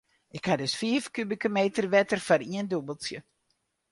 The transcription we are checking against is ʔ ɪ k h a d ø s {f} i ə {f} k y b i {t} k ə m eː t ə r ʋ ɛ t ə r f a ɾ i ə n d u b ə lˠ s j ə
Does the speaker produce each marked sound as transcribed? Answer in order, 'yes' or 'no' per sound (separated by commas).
yes, yes, no